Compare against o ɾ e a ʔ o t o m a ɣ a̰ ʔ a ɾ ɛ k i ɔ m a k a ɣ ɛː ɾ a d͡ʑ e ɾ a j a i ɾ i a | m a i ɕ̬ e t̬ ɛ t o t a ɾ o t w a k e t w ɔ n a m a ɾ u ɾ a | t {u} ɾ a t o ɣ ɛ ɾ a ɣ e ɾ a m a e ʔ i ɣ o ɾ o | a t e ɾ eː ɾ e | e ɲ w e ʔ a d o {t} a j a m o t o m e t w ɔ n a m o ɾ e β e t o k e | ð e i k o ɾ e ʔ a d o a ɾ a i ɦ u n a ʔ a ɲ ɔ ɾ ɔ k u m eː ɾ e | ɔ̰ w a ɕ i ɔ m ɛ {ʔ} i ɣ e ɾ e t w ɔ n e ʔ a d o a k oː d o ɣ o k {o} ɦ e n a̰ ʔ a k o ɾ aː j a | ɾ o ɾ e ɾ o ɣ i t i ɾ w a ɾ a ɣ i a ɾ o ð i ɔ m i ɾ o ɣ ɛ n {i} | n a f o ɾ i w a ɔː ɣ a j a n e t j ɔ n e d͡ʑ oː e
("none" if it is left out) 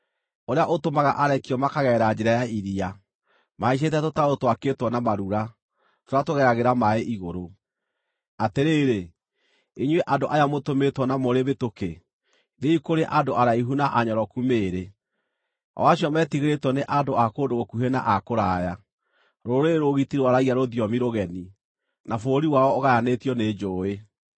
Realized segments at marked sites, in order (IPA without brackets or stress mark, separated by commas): o, ʔ, t, u, i